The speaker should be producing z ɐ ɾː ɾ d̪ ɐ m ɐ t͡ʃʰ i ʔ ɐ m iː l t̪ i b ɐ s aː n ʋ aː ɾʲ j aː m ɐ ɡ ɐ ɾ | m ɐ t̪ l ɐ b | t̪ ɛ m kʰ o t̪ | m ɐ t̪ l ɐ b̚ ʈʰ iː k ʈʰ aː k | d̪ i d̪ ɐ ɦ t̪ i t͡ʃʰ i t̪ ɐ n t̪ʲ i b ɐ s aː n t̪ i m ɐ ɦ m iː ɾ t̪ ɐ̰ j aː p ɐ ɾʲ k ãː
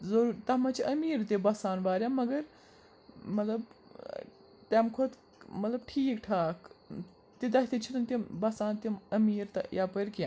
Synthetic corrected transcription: z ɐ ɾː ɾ t̪ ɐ m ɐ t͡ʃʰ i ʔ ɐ m iː ɾ t̪ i b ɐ s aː n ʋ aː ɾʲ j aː m ɐ ɡ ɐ ɾ | m ɐ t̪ l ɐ b | t̪ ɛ m kʰ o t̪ | m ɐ t̪ l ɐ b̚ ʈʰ iː k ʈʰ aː k | t̪ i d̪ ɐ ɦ t̪ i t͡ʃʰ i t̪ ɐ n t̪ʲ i b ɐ s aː n t̪ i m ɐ m iː ɾ t̪ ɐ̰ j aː p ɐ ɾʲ k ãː